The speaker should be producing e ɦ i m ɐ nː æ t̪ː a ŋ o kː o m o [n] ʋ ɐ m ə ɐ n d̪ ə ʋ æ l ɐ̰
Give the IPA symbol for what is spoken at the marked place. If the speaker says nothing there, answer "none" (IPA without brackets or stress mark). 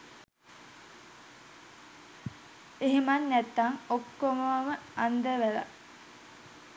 none